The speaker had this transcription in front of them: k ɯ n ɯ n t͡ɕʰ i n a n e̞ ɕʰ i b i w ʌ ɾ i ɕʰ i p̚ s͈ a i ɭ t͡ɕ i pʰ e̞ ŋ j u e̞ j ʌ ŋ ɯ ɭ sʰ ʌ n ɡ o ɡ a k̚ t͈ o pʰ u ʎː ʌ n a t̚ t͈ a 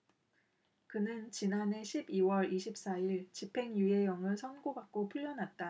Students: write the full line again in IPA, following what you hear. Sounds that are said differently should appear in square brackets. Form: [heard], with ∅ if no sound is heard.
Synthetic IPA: k ɯ n ɯ n [t͡ɕ] i n a n e̞ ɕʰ i b i w ʌ ɾ i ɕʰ i p̚ s͈ a i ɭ t͡ɕ i pʰ e̞ ŋ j u e̞ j ʌ ŋ ɯ ɭ sʰ ʌ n ɡ o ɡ a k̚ [k͈] o pʰ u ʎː ʌ n a t̚ t͈ a